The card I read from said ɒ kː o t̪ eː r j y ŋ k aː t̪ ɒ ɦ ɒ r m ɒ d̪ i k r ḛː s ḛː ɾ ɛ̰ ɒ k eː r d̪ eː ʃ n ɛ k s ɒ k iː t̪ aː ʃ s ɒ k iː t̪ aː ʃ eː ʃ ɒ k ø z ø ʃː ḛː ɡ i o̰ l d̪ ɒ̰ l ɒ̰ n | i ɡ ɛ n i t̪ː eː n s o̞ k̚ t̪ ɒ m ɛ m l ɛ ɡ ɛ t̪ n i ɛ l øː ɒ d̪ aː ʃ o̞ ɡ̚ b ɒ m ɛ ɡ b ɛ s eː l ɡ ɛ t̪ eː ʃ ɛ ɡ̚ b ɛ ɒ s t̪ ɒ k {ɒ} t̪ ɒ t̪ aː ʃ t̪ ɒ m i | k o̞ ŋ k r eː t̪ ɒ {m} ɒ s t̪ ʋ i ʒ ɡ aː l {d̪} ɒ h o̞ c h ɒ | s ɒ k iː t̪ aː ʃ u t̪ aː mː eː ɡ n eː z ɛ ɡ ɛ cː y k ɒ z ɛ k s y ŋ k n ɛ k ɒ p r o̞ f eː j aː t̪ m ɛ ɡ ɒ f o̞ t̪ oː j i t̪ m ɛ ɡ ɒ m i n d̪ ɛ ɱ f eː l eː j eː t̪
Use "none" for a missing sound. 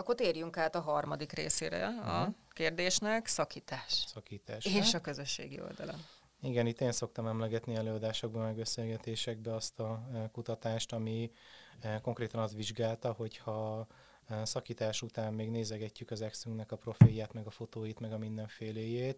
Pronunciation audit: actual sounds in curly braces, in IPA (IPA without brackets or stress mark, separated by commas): u, n, t̪